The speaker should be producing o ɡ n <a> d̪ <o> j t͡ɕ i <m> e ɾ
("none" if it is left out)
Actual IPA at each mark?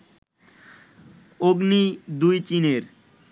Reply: i, u, n

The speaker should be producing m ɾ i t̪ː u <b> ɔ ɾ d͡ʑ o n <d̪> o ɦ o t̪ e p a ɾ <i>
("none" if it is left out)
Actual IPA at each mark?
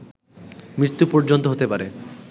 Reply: p, t̪, e

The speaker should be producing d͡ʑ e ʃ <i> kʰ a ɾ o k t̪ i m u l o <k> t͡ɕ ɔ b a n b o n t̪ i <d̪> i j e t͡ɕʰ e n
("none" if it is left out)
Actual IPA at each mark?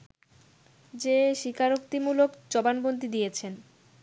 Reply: i, k, d̪

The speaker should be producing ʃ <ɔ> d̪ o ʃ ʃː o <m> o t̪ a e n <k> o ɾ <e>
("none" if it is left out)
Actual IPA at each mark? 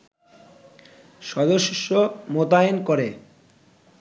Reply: ɔ, m, k, e

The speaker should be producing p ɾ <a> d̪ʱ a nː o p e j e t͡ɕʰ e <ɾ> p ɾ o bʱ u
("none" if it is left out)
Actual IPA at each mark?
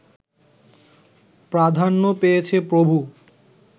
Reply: a, none

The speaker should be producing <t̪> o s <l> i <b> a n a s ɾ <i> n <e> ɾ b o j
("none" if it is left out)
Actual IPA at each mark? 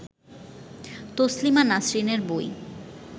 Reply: t̪, l, m, i, e

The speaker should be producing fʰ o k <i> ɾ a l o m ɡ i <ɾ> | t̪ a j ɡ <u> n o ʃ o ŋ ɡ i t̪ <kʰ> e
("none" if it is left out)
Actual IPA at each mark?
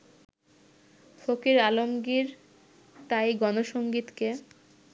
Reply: i, ɾ, ɔ, k

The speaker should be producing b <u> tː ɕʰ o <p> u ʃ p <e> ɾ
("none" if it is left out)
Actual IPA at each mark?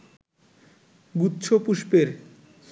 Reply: u, p, e

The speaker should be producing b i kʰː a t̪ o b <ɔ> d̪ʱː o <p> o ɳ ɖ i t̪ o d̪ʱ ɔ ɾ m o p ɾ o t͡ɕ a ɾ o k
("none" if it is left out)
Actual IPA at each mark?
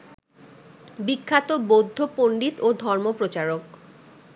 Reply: o, p

